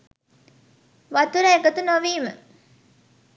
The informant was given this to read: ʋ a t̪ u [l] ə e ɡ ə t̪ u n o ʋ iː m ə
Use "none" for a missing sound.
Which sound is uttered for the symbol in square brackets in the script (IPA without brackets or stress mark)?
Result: ɾ